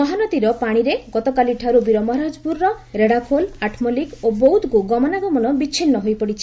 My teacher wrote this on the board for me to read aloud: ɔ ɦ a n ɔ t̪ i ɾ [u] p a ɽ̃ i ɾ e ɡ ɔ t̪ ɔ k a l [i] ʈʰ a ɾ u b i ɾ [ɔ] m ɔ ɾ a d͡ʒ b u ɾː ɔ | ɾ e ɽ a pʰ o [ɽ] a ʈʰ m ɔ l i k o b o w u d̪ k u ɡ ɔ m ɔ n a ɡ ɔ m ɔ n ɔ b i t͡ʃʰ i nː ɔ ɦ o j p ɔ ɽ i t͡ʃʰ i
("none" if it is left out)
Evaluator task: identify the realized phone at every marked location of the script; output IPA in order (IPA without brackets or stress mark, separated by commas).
ɔ, i, ɔ, l